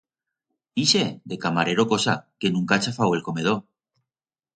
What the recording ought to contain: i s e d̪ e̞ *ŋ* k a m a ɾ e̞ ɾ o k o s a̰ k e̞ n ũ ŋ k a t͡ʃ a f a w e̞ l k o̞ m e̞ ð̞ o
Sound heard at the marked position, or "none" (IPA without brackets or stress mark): none